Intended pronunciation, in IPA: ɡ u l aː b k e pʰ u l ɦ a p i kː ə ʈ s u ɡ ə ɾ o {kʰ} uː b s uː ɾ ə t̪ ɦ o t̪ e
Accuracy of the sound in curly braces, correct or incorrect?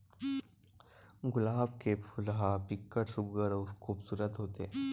correct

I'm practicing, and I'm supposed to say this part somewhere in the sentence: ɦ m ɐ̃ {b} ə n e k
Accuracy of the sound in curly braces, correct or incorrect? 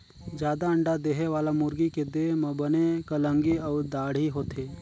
correct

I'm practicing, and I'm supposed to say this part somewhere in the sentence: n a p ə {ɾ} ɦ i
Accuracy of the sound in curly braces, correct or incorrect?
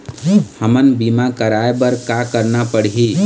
incorrect: ɽ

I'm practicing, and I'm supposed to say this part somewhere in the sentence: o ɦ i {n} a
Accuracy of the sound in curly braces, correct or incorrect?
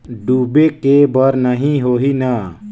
correct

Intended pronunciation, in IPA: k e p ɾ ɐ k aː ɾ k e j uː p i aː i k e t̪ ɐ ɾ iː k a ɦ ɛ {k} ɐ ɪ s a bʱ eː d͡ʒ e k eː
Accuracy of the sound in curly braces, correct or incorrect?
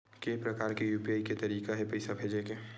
incorrect: p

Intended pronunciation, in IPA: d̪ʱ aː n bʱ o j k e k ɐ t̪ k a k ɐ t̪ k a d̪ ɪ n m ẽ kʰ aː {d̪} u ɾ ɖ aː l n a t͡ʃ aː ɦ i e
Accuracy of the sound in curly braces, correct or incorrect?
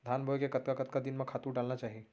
incorrect: t̪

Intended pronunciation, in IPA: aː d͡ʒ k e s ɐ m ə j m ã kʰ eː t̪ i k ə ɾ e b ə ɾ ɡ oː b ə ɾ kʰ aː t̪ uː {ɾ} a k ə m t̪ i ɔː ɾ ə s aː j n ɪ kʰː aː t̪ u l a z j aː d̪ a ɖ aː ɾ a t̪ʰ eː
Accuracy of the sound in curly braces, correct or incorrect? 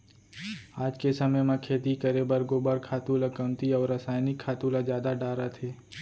incorrect: l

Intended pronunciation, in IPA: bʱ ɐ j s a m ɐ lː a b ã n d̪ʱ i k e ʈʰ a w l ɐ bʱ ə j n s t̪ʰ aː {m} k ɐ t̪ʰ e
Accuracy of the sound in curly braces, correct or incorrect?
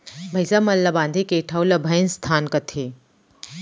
incorrect: n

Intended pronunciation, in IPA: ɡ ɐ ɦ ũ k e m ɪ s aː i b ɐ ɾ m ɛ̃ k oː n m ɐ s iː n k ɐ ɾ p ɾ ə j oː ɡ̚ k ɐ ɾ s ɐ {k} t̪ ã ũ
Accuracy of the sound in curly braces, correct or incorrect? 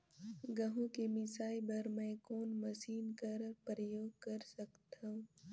correct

